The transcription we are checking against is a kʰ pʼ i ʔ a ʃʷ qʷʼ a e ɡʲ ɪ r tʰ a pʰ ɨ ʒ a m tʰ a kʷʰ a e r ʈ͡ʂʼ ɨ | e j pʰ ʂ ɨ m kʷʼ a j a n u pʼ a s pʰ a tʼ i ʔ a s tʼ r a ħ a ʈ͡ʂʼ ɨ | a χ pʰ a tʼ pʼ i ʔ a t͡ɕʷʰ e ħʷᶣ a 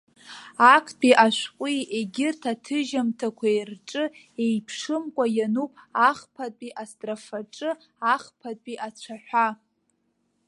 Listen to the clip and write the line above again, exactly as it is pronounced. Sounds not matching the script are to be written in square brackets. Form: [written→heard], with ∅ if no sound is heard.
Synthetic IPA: a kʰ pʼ i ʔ a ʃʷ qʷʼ [a→i] e ɡʲ ɪ r tʰ a [pʰ→tʰ] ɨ ʒ a m tʰ a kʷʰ a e r ʈ͡ʂʼ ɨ | e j pʰ ʂ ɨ m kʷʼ a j a n u pʼ a [s→χ] pʰ a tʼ i ʔ a s tʼ r a [ħ→f] a ʈ͡ʂʼ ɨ | a χ pʰ a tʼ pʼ i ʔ a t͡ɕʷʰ [e→a] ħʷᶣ a